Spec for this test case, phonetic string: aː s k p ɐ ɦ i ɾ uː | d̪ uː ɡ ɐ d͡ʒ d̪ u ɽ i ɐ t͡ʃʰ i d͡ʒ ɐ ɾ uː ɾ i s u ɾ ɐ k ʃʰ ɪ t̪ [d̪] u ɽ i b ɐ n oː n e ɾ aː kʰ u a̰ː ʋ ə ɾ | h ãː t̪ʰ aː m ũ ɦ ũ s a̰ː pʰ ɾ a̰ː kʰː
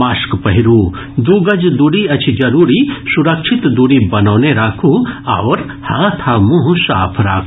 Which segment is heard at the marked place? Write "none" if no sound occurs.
d̪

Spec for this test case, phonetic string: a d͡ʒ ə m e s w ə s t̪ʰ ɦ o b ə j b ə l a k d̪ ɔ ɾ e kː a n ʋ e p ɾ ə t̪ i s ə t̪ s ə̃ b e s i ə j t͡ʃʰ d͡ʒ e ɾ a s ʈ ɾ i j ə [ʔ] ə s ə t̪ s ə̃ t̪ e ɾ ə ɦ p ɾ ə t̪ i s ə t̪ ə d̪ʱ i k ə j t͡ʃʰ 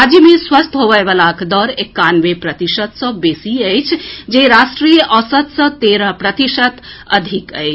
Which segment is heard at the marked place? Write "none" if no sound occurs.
ʔ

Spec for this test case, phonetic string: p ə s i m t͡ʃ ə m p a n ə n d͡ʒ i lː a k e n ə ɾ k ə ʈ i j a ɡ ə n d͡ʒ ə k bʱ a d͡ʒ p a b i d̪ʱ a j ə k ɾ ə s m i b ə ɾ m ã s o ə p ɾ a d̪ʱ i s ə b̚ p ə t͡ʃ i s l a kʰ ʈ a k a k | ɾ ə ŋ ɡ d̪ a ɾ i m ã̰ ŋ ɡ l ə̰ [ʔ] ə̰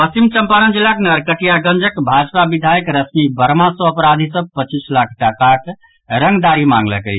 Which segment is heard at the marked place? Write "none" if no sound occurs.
k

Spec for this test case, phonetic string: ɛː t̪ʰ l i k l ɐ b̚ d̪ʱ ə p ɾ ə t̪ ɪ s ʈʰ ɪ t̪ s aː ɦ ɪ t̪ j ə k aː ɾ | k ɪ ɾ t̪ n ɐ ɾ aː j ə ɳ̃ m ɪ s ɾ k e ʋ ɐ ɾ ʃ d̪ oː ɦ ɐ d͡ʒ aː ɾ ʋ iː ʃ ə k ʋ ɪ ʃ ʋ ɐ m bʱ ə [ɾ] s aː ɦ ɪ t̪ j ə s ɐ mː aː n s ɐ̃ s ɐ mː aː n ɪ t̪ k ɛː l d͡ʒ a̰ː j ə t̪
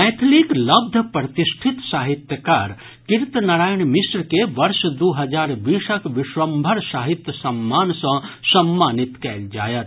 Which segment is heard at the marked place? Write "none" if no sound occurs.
ɾ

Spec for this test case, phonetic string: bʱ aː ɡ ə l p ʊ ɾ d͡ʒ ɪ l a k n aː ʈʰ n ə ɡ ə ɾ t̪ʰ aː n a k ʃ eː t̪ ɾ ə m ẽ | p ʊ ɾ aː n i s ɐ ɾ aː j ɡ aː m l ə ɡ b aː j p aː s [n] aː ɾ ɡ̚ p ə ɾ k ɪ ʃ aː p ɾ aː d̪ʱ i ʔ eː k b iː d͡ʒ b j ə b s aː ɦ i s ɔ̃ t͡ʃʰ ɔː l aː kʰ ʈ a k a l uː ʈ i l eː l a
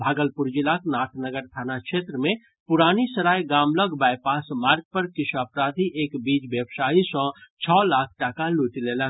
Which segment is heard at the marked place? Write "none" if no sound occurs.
m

